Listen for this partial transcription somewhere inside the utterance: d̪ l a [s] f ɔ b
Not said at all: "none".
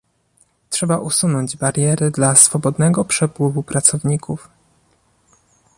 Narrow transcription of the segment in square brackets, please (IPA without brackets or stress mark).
s